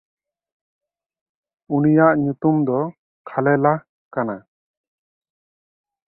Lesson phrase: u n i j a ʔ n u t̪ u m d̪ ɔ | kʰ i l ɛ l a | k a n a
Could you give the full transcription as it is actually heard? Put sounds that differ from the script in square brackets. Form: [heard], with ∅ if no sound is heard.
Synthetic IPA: u n i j a ʔ [ɲ] u t̪ u m d̪ ɔ | kʰ [a] l ɛ l a | k a n a